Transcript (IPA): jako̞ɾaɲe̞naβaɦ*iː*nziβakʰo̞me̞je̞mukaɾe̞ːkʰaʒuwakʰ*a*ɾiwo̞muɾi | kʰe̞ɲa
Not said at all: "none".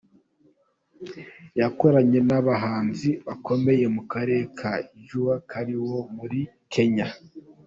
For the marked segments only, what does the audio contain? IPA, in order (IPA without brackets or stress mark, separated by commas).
aː, a